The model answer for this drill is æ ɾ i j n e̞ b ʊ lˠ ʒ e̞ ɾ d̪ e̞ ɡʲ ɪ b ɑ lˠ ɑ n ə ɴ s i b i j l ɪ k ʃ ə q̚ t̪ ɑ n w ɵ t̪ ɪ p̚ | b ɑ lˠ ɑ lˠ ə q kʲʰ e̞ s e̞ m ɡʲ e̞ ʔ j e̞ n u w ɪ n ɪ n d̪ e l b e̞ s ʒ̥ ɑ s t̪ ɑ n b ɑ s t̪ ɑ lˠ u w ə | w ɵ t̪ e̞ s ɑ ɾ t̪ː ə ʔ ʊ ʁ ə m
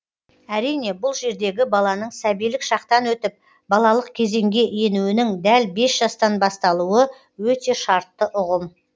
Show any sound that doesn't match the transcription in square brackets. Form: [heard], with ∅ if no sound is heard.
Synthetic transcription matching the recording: æ ɾ i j n e̞ b ʊ lˠ ʒ e̞ ɾ d̪ e̞ ɡʲ ɪ b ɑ lˠ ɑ n ə ɴ s [æ] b i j l ɪ k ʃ [ɑ] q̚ t̪ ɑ n w ɵ t̪ ɪ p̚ | b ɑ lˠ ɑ lˠ ə q kʲʰ e̞ [z] e̞ [ŋ] ɡʲ e̞ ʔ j e̞ n u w ɪ n ɪ [ŋ] d̪ [æ] l b e̞ s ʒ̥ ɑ s t̪ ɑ n b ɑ s t̪ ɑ lˠ u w ə | w ɵ t̪ e̞ [ʃ] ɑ ɾ t̪ː ə ʔ ʊ ʁ ə m